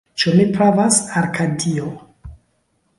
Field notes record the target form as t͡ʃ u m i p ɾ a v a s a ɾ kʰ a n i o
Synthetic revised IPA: t͡ʃ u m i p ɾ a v a s a ɾ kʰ a d i o